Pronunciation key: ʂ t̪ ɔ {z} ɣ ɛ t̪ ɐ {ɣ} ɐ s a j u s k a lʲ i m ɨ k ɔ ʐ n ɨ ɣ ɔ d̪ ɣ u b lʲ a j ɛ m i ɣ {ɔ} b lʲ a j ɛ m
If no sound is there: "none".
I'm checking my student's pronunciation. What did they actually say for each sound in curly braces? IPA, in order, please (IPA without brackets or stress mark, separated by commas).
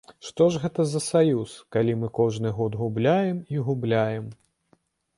ʐ, z, u